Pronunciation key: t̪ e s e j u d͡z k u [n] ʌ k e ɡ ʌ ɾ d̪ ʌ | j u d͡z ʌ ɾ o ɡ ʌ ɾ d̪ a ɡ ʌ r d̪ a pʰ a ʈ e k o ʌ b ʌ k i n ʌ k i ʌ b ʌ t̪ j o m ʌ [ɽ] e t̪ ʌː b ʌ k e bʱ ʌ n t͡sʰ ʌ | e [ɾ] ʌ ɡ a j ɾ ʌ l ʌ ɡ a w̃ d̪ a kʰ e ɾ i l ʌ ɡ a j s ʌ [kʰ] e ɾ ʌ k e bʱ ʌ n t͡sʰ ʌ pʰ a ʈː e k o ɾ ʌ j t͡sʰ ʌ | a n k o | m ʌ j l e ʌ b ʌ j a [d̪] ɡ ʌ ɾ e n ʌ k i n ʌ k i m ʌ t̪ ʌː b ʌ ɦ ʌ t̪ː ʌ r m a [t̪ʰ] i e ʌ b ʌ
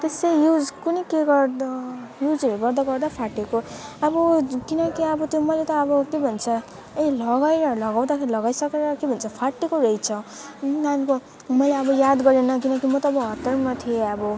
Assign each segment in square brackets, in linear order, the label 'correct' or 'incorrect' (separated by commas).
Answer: correct, incorrect, incorrect, incorrect, correct, correct